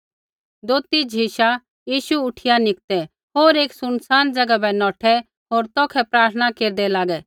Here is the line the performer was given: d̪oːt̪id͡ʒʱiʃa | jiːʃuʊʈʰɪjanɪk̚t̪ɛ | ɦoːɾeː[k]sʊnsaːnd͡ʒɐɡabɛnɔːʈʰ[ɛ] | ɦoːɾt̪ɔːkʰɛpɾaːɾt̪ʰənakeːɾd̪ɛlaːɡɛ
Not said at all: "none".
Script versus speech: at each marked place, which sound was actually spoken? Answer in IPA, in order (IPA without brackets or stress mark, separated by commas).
k, ɛ